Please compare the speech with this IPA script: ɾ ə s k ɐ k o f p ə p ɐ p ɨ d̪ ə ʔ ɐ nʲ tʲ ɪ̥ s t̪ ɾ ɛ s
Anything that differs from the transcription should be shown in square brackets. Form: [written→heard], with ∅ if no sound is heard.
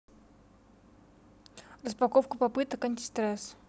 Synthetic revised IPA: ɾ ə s [k→p] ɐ k o f [p→k] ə p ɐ p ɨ [d̪→t̪] ə [ʔ→k] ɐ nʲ tʲ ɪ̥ s t̪ ɾ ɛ s